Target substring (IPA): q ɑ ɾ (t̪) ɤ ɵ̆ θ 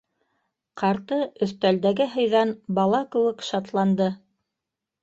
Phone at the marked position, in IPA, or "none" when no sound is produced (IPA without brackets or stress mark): t̪